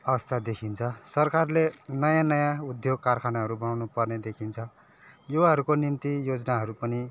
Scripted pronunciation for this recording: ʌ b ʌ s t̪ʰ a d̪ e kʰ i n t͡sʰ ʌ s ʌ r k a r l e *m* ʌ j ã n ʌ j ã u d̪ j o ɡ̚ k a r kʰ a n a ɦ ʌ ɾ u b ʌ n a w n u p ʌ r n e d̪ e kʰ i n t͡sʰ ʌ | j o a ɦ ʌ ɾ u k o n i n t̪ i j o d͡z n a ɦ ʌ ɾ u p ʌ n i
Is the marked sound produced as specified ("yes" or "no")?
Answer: no